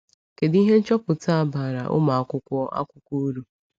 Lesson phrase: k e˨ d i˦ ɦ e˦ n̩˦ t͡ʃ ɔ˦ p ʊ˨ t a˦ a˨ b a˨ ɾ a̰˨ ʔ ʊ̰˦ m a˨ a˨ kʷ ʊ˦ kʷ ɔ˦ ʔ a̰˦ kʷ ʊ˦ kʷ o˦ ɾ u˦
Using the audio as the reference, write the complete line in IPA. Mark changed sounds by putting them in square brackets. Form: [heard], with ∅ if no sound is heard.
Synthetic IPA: k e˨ d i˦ ɦ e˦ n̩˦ t͡ʃ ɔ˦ p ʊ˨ t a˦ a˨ b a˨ ɾ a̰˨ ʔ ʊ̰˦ m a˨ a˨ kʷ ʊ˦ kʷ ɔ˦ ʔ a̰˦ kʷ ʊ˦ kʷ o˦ ɾ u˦